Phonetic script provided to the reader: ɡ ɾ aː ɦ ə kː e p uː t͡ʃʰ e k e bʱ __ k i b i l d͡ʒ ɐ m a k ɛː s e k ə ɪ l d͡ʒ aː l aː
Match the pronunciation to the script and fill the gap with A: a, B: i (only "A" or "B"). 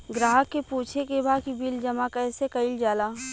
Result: A